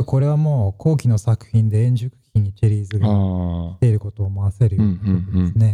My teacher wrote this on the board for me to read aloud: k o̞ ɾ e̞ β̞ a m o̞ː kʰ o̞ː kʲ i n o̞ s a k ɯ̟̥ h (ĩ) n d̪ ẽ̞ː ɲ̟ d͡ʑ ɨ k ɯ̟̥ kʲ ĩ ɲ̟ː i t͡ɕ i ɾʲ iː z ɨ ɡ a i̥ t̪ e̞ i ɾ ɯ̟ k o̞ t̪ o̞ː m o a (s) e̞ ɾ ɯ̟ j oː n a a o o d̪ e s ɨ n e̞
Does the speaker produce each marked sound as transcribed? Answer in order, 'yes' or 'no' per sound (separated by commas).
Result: yes, yes